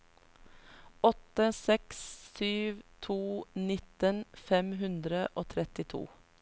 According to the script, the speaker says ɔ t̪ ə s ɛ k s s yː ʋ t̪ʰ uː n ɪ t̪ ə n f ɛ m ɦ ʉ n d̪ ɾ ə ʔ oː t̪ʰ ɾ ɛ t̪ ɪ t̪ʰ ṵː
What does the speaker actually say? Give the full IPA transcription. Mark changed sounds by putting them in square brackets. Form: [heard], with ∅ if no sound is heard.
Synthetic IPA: ɔ t̪ ə s ɛ k s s yː ʋ t̪ʰ uː n ɪ t̪ ə n f ɛ m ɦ ʉ n d̪ ɾ ə ʔ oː t̪ʰ ɾ ɛ t̪ ɪ t̪ʰ ṵː